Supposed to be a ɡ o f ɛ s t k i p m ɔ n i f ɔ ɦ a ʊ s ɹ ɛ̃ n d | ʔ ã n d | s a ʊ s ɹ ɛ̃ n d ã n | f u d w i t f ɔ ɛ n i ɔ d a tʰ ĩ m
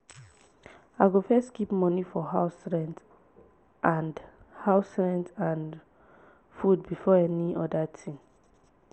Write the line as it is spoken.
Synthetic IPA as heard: a ɡ o f ɛ s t k i p m ɔ n i f ɔ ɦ a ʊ s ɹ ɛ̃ n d | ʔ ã n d | h a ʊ s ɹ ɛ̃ n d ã n | f u d b i f ɔ ɛ n i ɔ d a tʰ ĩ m